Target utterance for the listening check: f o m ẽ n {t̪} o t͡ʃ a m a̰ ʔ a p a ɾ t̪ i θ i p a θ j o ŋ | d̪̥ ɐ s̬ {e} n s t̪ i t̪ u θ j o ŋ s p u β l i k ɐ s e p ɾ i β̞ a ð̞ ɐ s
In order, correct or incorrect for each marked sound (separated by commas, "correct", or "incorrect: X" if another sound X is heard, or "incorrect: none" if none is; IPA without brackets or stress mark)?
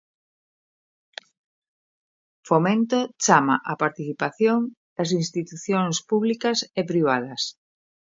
correct, incorrect: i